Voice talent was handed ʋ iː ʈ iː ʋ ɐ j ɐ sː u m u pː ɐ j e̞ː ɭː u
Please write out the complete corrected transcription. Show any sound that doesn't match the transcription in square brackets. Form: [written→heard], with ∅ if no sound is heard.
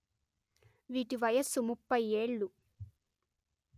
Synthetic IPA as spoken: ʋ iː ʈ [iː→i] ʋ ɐ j ɐ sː u m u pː ɐ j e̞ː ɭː u